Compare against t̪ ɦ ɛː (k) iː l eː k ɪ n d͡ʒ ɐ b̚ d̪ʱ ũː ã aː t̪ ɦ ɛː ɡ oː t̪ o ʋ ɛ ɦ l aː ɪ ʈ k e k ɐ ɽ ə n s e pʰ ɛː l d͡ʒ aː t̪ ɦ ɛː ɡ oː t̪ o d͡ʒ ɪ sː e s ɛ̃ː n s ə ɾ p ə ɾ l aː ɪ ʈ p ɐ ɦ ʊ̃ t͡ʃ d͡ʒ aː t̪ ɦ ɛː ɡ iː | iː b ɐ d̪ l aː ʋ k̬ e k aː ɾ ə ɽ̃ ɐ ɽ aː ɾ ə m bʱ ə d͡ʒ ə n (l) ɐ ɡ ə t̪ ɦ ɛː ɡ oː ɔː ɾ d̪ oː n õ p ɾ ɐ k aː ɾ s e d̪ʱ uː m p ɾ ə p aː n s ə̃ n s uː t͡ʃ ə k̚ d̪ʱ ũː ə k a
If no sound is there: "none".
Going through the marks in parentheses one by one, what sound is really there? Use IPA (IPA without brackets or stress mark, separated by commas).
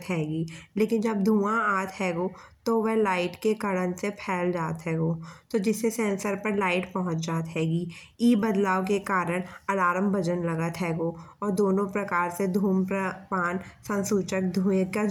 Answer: ɡ, l